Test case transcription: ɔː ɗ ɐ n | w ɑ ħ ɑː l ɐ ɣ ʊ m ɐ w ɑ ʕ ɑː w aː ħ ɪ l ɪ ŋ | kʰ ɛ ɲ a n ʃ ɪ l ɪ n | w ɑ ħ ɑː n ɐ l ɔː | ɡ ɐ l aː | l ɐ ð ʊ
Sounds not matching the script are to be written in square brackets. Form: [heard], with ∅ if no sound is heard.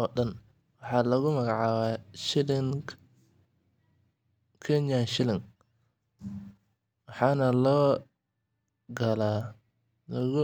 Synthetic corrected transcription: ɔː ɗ ɐ n | w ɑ ħ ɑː l ɐ ɣ ʊ m ɐ [ɣ] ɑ ʕ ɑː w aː [ʃ] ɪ l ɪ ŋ | kʰ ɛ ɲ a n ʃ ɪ l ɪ [ŋ] | w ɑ ħ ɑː n ɐ l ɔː | ɡ ɐ l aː | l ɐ [ɣ] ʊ